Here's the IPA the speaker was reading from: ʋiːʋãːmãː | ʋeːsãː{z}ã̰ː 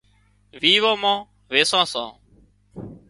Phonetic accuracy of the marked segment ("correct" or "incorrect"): incorrect